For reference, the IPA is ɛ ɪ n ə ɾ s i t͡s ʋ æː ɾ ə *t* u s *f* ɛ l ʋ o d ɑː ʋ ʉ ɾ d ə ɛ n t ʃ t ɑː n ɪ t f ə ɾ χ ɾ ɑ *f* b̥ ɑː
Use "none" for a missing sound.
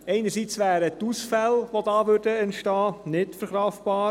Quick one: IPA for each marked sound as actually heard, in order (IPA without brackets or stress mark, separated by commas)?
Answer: t, f, f